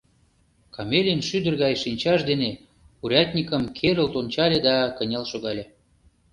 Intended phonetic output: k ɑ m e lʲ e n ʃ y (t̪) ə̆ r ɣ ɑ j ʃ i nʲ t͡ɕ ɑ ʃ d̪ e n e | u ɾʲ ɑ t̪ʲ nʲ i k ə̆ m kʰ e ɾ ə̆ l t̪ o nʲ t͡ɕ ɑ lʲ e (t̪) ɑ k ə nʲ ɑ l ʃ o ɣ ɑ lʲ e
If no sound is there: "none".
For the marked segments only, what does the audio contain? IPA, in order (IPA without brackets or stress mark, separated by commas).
d̪, d̪